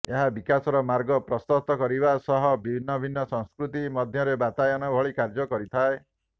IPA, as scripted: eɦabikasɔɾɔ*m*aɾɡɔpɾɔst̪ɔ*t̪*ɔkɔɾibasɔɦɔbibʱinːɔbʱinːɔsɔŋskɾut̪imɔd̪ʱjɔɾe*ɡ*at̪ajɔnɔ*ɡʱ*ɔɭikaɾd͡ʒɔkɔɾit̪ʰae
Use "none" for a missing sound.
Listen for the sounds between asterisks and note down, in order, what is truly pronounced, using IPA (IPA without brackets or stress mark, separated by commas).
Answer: m, t̪, b, bʱ